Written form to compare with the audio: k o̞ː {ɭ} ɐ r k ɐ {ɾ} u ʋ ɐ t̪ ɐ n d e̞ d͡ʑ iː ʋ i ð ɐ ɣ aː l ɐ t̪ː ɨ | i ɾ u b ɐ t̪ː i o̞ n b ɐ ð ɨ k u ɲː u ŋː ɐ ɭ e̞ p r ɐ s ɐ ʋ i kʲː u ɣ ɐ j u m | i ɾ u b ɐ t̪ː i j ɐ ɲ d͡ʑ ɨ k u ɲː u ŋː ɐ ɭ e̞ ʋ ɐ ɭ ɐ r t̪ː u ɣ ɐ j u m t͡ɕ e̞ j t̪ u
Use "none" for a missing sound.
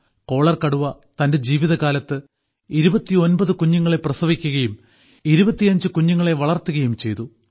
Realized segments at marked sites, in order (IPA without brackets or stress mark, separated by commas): ɭ, ɽ